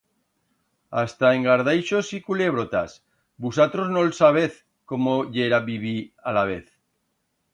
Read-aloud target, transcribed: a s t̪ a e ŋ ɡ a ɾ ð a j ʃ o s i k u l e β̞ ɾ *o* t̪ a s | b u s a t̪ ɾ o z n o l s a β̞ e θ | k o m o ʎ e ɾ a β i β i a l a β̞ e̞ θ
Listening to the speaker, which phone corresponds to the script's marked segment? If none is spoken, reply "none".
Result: o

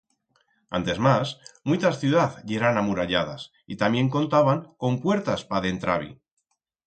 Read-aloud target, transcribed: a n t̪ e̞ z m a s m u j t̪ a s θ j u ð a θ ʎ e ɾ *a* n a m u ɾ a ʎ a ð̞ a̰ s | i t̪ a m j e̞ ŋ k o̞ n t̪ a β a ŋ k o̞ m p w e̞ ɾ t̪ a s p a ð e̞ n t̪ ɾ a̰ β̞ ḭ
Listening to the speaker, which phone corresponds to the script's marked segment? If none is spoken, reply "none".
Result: a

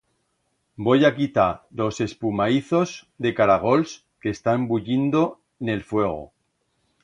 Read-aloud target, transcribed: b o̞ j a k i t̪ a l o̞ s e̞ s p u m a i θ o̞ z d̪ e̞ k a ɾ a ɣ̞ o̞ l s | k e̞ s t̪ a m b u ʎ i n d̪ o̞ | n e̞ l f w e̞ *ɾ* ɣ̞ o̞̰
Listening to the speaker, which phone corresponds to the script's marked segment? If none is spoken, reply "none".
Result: none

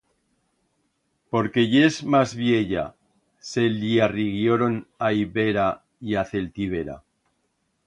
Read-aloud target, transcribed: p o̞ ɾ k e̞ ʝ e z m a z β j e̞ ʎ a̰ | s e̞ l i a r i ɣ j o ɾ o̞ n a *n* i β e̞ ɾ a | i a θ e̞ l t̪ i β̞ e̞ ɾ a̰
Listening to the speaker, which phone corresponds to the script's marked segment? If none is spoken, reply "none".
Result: none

